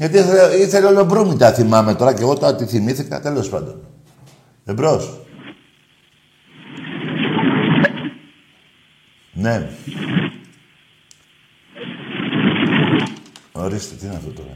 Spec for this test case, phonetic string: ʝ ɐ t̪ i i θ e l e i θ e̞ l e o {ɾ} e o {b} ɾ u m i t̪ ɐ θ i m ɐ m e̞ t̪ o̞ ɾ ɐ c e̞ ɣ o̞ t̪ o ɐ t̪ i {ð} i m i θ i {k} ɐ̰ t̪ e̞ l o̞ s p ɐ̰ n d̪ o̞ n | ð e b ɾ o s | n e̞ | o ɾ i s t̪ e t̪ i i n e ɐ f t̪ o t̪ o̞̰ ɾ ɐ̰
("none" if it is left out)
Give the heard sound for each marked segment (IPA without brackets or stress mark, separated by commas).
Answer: l, b, θ, k